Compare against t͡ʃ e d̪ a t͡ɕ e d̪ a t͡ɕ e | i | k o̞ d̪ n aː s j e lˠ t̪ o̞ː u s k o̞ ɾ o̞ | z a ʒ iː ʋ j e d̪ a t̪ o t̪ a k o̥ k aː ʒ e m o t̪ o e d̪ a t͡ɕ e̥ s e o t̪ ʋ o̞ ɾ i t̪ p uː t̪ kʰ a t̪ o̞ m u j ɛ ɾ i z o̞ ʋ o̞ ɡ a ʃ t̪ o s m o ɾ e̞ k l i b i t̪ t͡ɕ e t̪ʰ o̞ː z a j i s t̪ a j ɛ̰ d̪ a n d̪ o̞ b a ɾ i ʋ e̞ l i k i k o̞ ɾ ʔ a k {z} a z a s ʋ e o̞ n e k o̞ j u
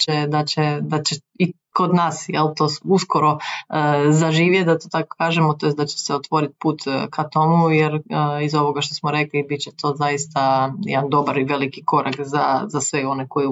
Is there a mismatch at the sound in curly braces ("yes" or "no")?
no